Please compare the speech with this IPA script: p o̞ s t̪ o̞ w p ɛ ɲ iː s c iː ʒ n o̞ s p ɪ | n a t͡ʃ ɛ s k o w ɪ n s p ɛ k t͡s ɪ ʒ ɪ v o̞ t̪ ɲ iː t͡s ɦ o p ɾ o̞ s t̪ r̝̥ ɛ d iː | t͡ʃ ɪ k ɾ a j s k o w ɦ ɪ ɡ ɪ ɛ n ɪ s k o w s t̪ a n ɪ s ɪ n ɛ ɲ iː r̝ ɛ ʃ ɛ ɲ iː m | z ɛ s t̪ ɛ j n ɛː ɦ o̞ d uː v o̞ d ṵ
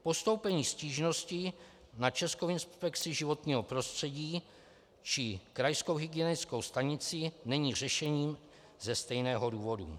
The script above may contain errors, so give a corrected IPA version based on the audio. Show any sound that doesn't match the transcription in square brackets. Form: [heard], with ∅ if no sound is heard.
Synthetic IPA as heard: p o̞ s t̪ o̞ w p ɛ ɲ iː s c iː ʒ n o̞ s [c] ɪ | n a t͡ʃ ɛ s k o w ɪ n s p ɛ k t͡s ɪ ʒ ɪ v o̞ t̪ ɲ iː [∅] ɦ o p ɾ o̞ s t̪ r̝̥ ɛ [ɟ] iː | t͡ʃ ɪ k ɾ a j s k o w ɦ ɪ ɡ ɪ ɛ n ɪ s k o w s t̪ a [ɲ] ɪ [t͡s] ɪ n ɛ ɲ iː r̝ ɛ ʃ ɛ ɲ iː m | z ɛ s t̪ ɛ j n ɛː ɦ o̞ d uː v o̞ d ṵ